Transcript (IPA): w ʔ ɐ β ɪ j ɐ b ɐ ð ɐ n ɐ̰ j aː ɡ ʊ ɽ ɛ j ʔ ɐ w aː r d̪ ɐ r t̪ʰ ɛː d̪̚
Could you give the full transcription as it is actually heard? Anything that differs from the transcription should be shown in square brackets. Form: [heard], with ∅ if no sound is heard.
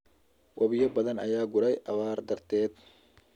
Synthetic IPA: w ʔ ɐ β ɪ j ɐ b ɐ ð ɐ n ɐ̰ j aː ɡ ʊ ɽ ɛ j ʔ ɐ [β] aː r d̪ ɐ r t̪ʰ ɛː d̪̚